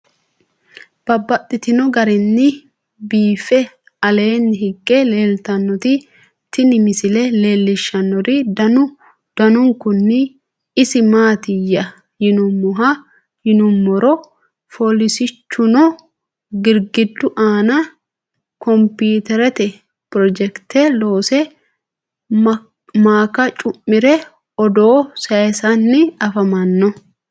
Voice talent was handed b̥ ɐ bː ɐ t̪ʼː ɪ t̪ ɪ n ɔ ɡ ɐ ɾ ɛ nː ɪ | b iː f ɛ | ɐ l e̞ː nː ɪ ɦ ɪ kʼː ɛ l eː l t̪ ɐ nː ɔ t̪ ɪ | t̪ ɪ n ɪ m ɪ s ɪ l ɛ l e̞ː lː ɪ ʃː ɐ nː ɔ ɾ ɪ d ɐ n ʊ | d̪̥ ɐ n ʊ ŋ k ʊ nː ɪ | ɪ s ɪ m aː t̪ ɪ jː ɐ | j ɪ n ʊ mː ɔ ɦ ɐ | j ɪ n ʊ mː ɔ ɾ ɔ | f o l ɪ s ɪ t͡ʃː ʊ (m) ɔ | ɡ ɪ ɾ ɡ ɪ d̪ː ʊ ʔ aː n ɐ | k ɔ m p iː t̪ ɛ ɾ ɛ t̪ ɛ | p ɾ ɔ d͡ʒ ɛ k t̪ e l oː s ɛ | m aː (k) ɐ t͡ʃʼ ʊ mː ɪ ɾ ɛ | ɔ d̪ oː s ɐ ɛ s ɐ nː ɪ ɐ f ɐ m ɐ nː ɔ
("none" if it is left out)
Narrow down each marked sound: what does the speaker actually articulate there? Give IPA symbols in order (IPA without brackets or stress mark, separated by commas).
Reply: n, k